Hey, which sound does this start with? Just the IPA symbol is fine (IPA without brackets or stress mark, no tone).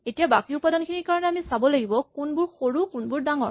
e